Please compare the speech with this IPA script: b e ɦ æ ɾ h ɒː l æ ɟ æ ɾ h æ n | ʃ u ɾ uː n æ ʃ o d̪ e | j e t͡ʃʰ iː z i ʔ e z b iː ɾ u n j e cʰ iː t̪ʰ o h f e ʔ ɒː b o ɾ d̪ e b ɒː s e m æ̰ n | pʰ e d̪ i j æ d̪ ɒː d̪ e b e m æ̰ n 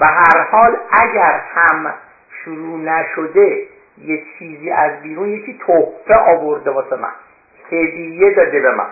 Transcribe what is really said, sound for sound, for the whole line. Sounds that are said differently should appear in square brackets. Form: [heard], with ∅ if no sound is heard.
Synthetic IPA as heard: b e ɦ æ ɾ h ɒː l æ ɟ æ ɾ h æ [m] | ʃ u ɾ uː n æ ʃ o d̪ e | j e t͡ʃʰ iː z [iː] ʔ [æ] z b iː ɾ u n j e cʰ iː t̪ʰ o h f e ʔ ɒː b o ɾ d̪ e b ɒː s e m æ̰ n | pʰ e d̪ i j [e] d̪ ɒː d̪ e b e m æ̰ n